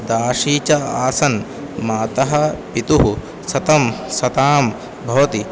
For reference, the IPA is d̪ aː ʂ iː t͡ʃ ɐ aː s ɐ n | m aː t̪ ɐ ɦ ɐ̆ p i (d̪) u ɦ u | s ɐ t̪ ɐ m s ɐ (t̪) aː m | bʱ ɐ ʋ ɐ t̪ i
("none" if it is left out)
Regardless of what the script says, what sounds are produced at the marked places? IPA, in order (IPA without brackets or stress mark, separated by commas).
t̪, t̪